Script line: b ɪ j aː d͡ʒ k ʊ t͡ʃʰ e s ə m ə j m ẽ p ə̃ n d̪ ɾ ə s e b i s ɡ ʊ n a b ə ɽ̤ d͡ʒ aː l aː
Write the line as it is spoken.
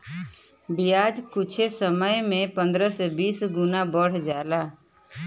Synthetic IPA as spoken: b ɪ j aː d͡ʒ k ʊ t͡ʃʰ e s ə m ə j m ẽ p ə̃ n d̪ ɾ ə s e b iː s ɡ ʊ n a b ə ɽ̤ d͡ʒ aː l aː